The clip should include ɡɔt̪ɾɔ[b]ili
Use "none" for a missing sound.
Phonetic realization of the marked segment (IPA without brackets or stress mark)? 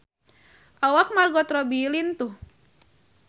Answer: b